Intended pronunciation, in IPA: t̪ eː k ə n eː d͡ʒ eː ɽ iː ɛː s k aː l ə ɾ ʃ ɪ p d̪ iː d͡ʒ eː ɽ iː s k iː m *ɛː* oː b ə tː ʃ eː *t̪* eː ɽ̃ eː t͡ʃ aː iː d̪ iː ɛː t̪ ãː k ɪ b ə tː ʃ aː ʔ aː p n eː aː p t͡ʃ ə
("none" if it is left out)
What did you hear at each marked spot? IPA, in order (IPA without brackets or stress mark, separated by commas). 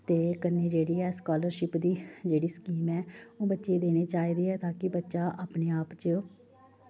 ɛː, d̪